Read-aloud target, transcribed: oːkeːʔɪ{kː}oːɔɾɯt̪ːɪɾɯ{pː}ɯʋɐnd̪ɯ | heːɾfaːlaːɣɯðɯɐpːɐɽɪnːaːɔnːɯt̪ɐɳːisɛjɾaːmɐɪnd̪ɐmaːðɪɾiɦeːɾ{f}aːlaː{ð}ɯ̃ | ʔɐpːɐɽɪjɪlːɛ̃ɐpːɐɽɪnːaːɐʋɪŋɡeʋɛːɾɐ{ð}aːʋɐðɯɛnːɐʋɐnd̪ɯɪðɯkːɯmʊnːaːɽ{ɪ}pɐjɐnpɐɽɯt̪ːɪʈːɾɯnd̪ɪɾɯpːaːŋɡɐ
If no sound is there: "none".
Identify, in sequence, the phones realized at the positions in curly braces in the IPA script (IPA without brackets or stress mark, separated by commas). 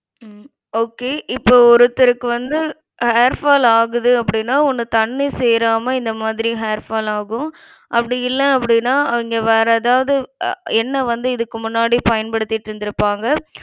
pː, kː, f, ɣ, ð, i